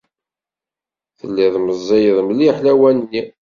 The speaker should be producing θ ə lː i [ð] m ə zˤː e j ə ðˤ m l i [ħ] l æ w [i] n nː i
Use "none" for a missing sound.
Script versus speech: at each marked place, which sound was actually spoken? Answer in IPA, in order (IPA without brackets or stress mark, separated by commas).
ð, ħ, æ